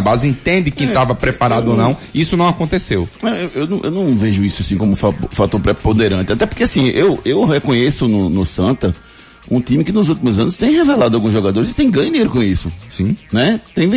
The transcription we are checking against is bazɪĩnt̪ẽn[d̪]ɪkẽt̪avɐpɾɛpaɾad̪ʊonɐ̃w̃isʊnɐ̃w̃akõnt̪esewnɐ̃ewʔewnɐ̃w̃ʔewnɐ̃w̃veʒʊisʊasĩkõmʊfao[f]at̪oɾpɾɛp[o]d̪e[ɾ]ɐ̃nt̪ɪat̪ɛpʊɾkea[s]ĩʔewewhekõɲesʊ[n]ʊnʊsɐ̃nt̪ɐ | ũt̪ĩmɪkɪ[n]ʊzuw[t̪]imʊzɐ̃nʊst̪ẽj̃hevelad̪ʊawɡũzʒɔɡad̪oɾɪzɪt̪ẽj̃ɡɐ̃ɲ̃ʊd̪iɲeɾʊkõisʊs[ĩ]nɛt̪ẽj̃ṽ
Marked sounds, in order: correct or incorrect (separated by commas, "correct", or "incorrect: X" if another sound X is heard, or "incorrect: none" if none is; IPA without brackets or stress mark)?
correct, correct, incorrect: õ, correct, correct, correct, correct, correct, correct